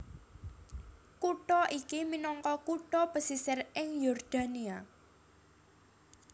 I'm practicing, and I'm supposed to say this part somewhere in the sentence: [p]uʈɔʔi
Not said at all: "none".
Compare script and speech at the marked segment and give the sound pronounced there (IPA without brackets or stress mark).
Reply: k